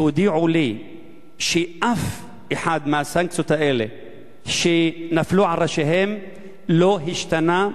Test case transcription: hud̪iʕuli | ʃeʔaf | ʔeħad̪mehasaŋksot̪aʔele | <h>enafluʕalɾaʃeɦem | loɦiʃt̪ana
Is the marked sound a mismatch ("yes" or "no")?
yes